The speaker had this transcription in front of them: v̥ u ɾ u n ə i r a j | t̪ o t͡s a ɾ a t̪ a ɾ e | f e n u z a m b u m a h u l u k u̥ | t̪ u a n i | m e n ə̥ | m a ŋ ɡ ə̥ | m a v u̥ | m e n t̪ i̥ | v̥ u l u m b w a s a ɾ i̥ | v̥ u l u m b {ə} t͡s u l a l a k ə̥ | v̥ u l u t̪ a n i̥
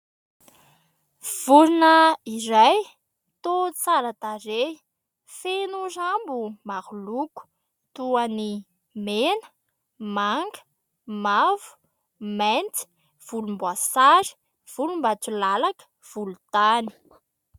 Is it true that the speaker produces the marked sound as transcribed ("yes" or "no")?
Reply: no